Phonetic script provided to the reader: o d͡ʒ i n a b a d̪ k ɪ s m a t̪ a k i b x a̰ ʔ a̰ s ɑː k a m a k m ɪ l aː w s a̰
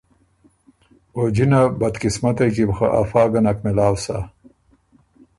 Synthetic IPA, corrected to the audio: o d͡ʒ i n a b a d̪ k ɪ s m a t̪ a k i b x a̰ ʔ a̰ f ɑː ɡ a n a k m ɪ l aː w s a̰